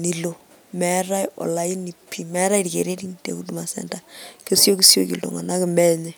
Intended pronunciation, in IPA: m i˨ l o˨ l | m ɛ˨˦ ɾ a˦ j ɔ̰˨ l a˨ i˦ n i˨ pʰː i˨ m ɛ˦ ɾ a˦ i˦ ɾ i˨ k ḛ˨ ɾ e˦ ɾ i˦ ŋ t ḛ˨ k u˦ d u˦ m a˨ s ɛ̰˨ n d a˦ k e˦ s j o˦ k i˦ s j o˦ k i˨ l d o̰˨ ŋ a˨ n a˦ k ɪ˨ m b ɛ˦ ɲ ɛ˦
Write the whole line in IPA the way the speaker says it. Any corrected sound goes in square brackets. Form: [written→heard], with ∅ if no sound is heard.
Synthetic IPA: [m→n] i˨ l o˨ [l→∅] | m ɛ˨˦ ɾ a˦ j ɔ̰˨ l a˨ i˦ n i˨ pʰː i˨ m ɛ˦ ɾ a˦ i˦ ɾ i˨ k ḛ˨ ɾ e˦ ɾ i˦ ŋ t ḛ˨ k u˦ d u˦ m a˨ s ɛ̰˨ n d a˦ k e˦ s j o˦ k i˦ s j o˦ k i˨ l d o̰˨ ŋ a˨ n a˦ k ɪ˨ m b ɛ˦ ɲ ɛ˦